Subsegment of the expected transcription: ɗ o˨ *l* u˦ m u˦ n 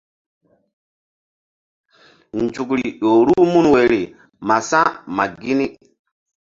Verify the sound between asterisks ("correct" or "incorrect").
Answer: incorrect